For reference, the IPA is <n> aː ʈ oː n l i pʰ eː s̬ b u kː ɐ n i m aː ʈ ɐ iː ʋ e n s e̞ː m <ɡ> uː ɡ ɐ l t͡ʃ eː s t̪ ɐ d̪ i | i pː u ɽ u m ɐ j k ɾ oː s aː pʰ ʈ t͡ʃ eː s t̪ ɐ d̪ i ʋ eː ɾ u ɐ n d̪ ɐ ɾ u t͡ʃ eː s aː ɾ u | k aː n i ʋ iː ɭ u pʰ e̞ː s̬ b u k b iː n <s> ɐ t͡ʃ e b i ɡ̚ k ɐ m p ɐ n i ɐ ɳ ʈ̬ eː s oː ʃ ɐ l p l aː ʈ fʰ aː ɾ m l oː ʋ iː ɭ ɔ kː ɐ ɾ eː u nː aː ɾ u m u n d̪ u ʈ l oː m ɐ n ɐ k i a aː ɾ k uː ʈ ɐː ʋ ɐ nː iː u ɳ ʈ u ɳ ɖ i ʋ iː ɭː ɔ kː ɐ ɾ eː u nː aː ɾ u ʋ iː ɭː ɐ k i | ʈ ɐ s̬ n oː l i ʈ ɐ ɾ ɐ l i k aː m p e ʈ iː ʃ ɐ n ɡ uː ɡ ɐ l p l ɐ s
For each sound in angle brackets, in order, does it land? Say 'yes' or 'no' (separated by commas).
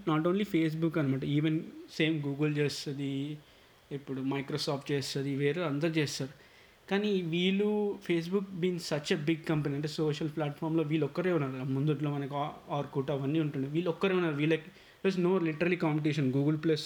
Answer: yes, yes, yes